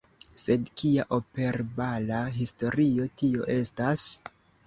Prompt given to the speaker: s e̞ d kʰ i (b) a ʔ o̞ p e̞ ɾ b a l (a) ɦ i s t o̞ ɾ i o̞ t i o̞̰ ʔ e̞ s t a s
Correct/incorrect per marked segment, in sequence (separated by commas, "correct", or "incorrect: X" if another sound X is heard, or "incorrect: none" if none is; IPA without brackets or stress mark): incorrect: none, correct